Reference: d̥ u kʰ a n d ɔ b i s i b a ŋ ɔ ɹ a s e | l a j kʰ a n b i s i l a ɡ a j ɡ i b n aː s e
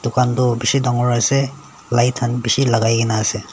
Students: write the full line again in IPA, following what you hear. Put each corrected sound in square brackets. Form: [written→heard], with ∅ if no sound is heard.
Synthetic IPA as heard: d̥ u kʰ a n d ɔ b i s i [b→d] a ŋ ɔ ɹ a s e | l a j [kʰ→tʰ] a n b i s i l a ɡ a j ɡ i [b→∅] n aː s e